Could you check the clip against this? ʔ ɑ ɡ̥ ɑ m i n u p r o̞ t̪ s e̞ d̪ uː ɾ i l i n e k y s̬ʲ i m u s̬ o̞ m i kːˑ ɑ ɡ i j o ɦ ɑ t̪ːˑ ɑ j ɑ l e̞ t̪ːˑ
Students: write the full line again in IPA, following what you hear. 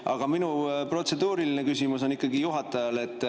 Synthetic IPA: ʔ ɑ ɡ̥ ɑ m i n u p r o̞ t̪ s e̞ d̪ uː ɾ i l i n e k y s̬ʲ i m u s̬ o̞ n i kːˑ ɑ ɡ i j u ɦ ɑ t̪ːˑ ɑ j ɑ l e̞ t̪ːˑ